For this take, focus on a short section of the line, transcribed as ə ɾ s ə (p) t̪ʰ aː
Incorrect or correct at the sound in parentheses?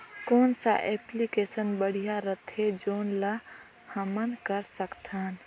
incorrect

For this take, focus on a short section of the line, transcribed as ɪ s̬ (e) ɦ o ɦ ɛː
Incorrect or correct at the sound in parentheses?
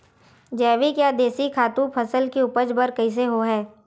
correct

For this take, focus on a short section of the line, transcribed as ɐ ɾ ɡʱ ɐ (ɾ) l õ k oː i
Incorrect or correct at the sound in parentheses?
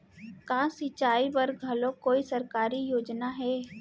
incorrect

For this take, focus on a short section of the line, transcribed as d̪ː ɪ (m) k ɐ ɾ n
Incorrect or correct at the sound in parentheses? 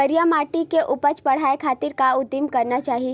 correct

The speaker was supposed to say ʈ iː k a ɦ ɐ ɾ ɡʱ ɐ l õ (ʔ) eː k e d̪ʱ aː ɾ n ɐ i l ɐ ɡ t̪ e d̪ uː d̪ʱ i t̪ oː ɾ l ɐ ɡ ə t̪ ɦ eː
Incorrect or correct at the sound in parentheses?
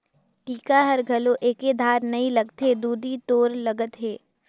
correct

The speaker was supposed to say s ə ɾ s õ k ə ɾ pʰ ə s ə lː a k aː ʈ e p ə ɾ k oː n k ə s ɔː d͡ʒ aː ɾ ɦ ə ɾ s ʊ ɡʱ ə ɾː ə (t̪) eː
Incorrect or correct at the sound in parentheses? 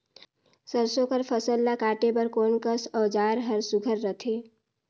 incorrect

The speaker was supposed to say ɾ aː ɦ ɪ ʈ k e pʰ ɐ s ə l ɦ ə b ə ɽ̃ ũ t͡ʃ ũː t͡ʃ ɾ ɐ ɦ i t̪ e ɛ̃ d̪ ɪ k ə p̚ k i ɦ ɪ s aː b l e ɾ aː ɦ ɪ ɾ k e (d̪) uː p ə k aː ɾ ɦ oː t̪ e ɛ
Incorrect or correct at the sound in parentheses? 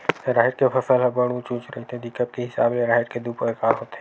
correct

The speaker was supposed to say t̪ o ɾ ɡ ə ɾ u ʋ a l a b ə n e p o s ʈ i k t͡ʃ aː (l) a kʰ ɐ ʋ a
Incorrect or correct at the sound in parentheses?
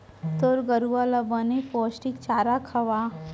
incorrect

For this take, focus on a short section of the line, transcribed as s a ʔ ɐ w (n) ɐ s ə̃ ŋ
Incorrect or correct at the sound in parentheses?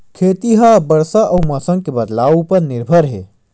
incorrect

